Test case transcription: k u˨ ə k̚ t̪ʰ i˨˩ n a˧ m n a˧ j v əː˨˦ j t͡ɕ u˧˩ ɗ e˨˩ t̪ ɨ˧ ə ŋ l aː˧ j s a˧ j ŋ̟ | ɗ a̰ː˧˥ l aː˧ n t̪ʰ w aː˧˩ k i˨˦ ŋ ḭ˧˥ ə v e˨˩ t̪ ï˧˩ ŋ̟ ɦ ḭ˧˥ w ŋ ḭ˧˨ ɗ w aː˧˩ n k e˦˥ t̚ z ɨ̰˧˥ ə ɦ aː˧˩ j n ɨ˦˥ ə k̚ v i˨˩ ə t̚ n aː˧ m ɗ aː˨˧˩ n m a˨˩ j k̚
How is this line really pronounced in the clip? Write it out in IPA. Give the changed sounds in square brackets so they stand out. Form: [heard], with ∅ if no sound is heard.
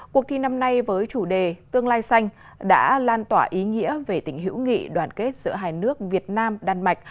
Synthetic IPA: k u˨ ə k̚ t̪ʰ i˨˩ n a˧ m n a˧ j v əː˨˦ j t͡ɕ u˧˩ ɗ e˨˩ t̪ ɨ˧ ə ŋ l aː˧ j s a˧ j ŋ̟ | ɗ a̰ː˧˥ l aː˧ n [t̪] w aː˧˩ [ʔ] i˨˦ ŋ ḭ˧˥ ə v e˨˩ t̪ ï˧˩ ŋ̟ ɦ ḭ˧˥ w ŋ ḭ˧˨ ɗ w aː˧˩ n k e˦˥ t̚ z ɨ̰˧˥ ə ɦ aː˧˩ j n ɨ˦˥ ə k̚ v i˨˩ ə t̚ n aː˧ m ɗ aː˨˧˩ n m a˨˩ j k̚